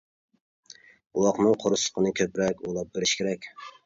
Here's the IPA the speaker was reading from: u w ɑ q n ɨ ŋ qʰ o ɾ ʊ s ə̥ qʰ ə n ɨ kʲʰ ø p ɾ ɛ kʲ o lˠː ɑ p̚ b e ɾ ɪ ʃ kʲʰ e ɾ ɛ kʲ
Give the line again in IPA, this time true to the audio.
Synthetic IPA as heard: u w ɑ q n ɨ ŋ qʰ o ɾ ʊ s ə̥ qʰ ə n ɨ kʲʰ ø p ɾ ɛ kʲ o lˠ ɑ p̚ b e ɾ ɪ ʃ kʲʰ e ɾ ɛ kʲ

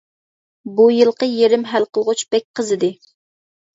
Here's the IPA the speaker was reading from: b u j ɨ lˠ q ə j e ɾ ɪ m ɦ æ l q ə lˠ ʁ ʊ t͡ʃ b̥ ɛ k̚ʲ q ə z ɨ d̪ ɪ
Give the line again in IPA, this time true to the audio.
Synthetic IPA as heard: b u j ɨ lˠ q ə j e ɾ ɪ m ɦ æ l q ə lˠ ʁ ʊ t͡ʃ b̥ ɛ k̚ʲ q ə z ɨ d̪ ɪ

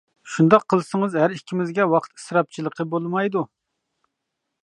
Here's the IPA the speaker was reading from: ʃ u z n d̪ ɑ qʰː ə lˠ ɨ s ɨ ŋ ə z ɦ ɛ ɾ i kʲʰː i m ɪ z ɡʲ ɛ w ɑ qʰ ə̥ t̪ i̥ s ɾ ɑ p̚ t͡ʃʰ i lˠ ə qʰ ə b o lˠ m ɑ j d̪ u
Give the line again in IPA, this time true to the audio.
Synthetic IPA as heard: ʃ u n d̪ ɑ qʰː ə lˠ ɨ s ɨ ŋ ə z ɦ æ ɾ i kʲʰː i m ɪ z ɡʲ ɛ w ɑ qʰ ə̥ t̪ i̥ s ɾ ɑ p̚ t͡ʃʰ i lˠ ə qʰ ə b o lˠ m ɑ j d̪ u

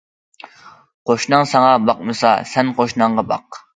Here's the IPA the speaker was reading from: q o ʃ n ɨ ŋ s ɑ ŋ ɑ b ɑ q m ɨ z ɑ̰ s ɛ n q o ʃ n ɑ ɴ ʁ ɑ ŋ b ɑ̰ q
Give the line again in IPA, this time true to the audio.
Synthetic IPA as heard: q o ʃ n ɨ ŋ s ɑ ŋ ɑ b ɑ q m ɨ s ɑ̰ s ɛ n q o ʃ n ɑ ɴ ʁ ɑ b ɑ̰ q

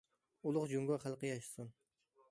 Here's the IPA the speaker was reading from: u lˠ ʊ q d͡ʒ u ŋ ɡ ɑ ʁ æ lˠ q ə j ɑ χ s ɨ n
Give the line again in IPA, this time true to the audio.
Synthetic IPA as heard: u lˠ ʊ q d͡ʒ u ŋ ɡ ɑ χ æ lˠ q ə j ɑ ʃ s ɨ n

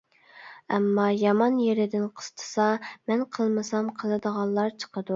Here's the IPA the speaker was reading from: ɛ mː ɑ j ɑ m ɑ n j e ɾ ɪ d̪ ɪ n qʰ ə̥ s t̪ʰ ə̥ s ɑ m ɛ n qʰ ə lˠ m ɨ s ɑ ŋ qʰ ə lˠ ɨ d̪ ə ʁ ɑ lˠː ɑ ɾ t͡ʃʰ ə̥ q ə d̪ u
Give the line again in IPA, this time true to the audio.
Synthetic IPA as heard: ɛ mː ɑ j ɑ m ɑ n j e ɾ ɪ d̪ ɪ n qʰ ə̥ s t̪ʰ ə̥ s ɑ m ɛ n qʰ ə lˠ m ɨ s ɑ m qʰ ə lˠ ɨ d̪ ə ʁ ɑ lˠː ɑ ɾ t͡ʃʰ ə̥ q ə d̪ u

